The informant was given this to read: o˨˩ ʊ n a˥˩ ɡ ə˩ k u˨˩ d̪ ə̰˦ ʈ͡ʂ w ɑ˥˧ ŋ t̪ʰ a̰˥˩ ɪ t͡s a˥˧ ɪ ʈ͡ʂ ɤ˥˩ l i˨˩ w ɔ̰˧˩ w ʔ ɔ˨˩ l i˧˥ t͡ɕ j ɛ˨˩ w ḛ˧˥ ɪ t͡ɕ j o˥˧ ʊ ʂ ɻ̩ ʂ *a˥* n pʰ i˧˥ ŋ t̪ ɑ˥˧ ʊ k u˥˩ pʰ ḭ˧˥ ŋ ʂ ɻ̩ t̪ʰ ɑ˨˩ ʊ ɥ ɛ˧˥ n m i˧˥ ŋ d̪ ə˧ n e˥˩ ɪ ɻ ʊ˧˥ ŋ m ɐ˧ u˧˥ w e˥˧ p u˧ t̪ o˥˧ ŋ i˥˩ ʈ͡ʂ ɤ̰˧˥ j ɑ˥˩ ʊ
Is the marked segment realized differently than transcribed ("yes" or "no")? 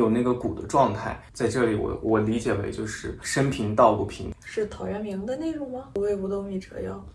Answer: yes